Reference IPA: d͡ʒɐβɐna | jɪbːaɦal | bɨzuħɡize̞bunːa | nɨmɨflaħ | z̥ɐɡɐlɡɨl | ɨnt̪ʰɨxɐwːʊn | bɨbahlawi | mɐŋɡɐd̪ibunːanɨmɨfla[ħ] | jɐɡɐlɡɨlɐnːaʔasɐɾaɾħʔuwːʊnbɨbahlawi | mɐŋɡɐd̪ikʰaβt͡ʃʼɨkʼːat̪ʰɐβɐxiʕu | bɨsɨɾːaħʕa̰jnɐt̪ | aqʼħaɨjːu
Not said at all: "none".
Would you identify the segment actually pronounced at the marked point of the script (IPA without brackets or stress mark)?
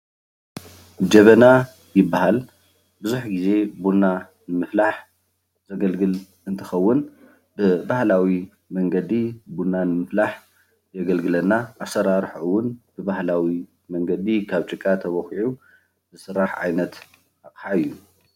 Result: ħ